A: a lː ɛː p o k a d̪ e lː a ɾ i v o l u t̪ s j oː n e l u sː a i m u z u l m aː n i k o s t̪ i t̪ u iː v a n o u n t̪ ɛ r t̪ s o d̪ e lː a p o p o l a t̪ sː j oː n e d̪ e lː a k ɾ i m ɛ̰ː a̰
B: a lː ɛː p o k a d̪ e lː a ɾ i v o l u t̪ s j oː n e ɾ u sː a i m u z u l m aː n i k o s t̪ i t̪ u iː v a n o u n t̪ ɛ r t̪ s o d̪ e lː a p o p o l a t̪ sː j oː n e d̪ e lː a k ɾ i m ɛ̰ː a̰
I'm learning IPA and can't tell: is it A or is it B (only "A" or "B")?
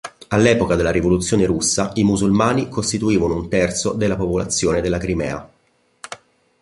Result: B